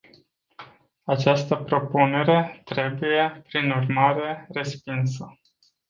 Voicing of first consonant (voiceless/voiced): voiceless